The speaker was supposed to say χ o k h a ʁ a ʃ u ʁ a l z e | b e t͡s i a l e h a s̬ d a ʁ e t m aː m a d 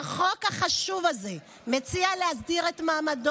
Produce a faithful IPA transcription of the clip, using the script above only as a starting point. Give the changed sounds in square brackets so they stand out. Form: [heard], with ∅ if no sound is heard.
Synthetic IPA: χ o k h a [χ] a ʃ u [v] a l z e | [m] e t͡s i a l e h a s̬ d [i] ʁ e t m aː m a d